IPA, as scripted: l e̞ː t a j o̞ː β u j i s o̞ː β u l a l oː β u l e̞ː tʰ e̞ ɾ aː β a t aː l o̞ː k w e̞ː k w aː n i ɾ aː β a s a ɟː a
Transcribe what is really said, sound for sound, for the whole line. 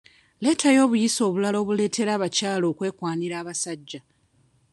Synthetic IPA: l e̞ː t a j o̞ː β u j i s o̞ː β u l a l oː β u l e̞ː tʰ e̞ ɾ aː β a c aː l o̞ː k w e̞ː k w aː n i ɾ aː β a s a ɟː a